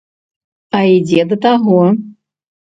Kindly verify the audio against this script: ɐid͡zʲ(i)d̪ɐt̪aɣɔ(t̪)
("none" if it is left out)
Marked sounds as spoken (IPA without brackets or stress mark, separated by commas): ɛ, none